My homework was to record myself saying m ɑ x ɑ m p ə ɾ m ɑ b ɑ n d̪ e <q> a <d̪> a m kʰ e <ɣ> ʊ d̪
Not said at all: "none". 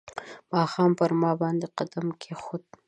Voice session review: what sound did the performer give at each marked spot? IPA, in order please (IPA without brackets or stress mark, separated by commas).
q, d̪, x